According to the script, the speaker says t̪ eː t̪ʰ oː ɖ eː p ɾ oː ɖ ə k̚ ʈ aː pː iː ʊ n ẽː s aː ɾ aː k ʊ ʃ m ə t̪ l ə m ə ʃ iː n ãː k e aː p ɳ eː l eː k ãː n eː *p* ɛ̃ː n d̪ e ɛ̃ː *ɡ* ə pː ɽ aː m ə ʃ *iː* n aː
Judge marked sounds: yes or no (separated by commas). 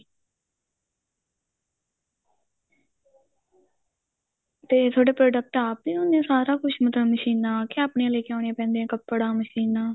yes, no, yes